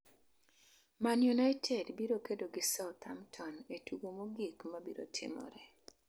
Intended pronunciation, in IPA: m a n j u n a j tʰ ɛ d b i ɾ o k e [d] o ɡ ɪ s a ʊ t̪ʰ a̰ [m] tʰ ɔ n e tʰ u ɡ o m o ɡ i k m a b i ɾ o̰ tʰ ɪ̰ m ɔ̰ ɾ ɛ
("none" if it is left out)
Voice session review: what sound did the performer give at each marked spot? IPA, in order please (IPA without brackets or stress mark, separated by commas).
d, m